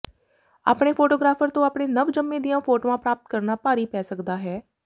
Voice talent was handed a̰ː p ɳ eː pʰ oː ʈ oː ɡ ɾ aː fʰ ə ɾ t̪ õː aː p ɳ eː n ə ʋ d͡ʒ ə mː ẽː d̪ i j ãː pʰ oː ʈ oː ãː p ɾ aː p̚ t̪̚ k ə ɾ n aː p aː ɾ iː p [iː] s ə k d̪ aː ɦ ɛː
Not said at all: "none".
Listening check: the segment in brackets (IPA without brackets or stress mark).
ɛː